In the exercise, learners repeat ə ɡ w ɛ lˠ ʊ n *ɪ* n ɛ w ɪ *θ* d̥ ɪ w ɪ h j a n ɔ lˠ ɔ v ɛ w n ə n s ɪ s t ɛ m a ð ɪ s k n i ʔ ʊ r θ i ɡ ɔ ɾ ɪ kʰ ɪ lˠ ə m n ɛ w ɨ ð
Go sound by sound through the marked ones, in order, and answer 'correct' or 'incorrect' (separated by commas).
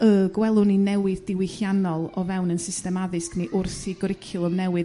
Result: incorrect, incorrect